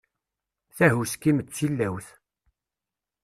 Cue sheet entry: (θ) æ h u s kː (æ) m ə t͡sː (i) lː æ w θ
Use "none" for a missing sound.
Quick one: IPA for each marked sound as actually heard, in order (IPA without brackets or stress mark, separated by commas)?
θ, i, i